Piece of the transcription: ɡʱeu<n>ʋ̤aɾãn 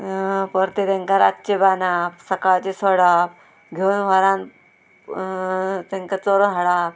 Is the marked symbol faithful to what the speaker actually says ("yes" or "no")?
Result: yes